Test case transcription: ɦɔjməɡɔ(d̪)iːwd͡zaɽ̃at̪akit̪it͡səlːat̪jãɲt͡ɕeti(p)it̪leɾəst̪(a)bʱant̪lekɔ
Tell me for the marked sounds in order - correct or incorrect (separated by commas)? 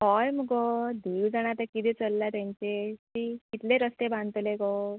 correct, incorrect, incorrect